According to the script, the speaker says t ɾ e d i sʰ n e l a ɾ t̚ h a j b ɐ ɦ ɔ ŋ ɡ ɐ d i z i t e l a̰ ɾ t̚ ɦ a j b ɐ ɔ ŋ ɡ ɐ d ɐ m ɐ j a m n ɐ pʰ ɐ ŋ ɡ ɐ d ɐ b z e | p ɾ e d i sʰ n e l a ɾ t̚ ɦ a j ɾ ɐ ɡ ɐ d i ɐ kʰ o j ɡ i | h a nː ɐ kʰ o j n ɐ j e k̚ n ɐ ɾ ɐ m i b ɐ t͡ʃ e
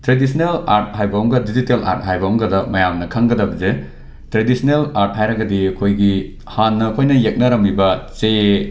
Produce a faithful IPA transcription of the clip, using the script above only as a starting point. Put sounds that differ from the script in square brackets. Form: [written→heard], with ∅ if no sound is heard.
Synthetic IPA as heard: t ɾ e d i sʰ n e l a ɾ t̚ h a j b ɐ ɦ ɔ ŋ ɡ ɐ d i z i t e l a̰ ɾ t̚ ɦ a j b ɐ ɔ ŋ ɡ ɐ d ɐ m ɐ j a m n ɐ [pʰ→kʰ] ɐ ŋ ɡ ɐ d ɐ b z e | [p→t] ɾ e d i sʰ n e l a ɾ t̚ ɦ a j ɾ ɐ ɡ ɐ d i ɐ kʰ o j ɡ i | h a nː ɐ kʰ o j n ɐ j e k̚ n ɐ ɾ ɐ m i b ɐ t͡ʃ e